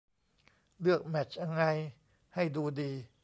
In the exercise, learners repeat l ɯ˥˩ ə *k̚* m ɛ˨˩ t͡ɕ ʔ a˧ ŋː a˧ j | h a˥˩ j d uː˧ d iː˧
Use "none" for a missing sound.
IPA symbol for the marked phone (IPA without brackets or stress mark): k̚